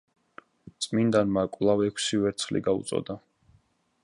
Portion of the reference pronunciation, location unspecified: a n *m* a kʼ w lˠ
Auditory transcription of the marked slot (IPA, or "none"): m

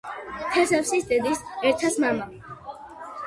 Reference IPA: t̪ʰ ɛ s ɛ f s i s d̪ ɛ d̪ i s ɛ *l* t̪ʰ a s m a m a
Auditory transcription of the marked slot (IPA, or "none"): ɾ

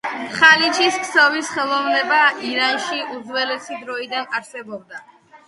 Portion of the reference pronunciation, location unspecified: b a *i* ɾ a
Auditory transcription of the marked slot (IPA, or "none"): i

